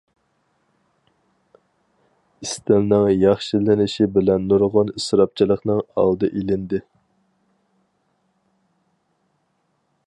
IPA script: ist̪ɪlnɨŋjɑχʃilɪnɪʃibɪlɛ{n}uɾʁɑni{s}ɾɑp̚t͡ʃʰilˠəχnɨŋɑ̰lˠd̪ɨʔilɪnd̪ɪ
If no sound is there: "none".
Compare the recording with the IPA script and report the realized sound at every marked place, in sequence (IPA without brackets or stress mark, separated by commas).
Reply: nː, s